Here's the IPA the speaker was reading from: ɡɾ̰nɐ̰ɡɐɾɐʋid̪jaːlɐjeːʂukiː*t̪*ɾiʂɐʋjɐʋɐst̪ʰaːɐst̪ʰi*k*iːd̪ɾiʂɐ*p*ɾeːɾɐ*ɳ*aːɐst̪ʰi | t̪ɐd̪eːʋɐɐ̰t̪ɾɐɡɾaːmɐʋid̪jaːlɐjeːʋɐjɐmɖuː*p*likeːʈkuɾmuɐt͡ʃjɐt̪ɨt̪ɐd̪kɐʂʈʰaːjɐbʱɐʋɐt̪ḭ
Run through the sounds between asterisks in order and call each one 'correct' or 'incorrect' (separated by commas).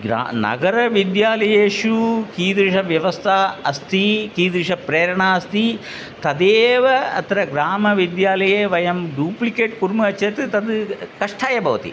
incorrect, correct, correct, correct, correct